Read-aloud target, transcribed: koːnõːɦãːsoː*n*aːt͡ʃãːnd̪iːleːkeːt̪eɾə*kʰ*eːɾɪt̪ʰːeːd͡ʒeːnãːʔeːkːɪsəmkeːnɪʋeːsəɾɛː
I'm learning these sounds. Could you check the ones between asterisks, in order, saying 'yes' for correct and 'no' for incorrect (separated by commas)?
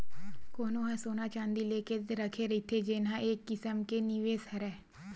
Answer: yes, yes